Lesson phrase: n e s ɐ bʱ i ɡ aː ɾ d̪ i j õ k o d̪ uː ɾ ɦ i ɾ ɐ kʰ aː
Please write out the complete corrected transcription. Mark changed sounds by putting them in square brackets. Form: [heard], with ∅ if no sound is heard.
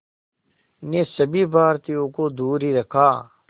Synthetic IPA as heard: n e s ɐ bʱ i [b] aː ɾ [t̪] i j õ k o d̪ uː ɾ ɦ i ɾ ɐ kʰ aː